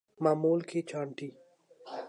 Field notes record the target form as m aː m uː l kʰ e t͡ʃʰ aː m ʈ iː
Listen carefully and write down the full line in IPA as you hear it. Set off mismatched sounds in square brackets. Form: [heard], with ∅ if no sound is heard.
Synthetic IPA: m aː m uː l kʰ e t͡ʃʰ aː [ɳ] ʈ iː